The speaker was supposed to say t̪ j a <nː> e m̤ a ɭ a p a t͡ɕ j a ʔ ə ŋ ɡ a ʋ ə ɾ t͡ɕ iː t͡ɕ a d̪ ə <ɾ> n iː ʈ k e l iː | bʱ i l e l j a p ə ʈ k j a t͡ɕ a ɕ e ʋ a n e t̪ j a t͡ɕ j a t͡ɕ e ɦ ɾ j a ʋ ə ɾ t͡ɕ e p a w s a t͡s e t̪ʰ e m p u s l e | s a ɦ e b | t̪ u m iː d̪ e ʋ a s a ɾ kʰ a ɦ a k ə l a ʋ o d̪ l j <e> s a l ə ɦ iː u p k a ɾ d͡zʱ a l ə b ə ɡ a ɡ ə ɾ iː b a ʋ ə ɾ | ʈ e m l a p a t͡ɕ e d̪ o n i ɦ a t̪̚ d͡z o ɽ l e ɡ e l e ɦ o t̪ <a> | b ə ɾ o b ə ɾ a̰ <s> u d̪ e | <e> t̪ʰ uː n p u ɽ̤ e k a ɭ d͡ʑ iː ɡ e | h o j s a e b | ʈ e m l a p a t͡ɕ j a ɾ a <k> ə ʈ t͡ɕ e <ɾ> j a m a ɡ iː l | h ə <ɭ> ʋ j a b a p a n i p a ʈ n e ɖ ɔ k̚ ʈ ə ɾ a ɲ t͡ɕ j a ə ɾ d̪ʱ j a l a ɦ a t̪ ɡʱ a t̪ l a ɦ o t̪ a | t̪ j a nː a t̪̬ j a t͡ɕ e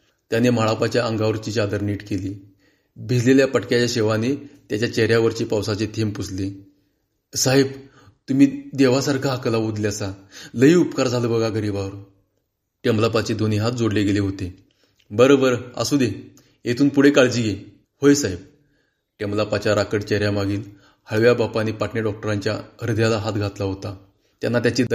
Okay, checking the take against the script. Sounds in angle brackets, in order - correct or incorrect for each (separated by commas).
incorrect, correct, incorrect, incorrect, correct, correct, correct, correct, correct